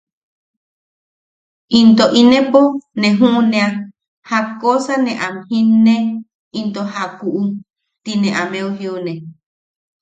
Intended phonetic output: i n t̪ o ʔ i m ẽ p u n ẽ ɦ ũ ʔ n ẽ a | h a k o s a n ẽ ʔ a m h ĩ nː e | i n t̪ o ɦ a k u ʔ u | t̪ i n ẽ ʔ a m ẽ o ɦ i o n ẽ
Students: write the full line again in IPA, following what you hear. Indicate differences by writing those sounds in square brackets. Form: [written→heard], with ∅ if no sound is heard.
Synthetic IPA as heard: i n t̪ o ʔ i [m→n] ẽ p [u→o] n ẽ ɦ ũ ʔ n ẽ a | h a k o s a n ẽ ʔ a m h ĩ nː e | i n t̪ o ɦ a k u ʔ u | t̪ i n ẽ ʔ a m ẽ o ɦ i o n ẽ